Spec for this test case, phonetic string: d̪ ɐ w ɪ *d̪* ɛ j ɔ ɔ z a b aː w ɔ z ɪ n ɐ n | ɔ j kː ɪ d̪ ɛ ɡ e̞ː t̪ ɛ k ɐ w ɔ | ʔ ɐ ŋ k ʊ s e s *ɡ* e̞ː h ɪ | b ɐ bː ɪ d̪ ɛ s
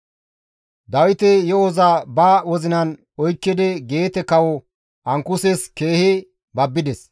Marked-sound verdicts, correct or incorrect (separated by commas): incorrect, incorrect